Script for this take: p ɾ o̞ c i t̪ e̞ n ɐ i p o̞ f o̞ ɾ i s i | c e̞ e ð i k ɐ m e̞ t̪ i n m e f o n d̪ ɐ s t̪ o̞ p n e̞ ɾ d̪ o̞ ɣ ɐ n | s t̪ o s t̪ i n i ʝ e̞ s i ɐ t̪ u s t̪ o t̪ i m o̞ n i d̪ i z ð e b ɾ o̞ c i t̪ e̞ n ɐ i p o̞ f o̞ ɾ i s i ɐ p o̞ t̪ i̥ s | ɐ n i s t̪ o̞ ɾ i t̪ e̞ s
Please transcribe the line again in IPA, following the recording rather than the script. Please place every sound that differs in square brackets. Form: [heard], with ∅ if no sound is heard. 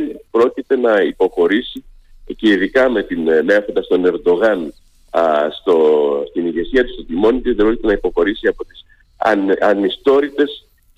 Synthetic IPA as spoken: p ɾ o̞ c i t̪ e̞ n ɐ i p o̞ [x] o̞ ɾ i s i | c e̞ [i] ð i k ɐ m e̞ t̪ i n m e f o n d̪ ɐ s t̪ o̞ [∅] n e̞ ɾ d̪ o̞ ɣ ɐ n | s t̪ o s t̪ i n i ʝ e̞ s i ɐ t̪ u s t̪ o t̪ i m o̞ n i [t̪] i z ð e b ɾ o̞ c i t̪ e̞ n ɐ i p o̞ [x] o̞ ɾ i s i ɐ p o̞ t̪ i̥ s | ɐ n i s t̪ o̞ ɾ i t̪ e̞ s